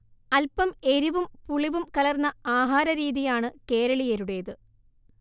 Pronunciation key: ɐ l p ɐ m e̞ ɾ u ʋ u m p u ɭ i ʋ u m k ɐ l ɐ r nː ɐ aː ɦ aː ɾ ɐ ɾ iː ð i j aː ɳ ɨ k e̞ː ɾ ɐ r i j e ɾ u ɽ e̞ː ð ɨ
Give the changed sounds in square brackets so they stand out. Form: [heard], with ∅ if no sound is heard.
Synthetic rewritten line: ɐ l p ɐ m e̞ ɾ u ʋ u m p u ɭ i ʋ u m k ɐ l ɐ r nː ɐ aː ɦ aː ɾ ɐ ɾ iː ð i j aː ɳ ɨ k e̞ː ɾ ɐ [ɭ] i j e ɾ u ɽ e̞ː ð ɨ